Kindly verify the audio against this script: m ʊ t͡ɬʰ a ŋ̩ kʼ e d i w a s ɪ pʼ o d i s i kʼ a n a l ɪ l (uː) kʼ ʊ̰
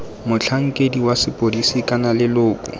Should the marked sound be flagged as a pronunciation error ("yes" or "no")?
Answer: yes